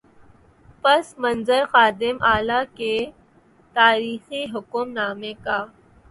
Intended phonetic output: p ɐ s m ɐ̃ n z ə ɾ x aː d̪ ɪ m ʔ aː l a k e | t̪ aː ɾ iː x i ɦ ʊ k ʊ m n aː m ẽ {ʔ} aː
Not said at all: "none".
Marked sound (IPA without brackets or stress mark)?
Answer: k